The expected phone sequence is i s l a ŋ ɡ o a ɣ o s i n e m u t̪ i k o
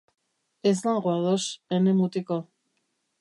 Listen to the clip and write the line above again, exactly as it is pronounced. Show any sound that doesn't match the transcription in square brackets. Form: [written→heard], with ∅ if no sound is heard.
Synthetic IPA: [i→e] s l a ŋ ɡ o a [ɣ→ð] o s [i→e] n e m u t̪ i k o